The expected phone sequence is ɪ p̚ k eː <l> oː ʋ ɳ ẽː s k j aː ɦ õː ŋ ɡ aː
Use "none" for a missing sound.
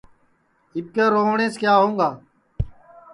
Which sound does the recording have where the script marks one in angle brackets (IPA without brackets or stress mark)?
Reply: ɾ